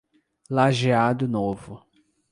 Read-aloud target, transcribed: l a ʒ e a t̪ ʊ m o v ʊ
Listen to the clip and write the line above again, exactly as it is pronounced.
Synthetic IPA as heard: l a ʒ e a d̪ ʊ n o v ʊ